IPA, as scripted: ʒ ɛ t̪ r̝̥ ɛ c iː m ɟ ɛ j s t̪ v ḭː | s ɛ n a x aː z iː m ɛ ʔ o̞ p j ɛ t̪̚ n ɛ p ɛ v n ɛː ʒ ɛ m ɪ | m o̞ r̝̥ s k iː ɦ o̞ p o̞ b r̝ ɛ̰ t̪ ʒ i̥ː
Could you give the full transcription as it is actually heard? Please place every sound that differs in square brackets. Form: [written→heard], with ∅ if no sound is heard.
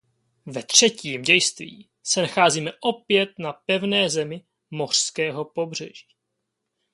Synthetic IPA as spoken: [ʒ→v] ɛ t̪ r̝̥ ɛ c iː m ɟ ɛ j s t̪ v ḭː | s ɛ n a x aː z iː m ɛ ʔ o̞ p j ɛ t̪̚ n [ɛ→a] p ɛ v n ɛː [ʒ→z] ɛ m ɪ | m o̞ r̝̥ s k [iː→ɛː] ɦ o̞ p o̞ b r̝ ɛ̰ [t̪→∅] ʒ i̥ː